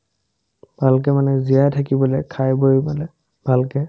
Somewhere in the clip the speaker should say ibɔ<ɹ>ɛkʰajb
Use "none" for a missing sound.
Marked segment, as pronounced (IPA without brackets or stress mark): l